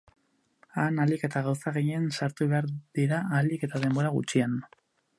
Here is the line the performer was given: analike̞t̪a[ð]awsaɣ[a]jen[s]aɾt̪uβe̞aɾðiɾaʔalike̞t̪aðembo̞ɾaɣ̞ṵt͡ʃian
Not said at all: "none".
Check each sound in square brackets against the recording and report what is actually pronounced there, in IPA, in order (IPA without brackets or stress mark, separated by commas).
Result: ɣ, e, s